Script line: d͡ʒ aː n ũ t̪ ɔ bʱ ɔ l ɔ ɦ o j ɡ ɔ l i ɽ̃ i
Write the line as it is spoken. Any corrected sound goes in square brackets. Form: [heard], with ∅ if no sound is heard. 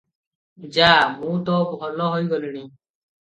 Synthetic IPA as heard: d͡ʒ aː [m] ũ t̪ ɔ bʱ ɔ l ɔ ɦ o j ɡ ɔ l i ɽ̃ i